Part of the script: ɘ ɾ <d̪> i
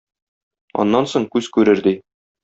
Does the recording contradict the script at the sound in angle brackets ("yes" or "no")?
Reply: no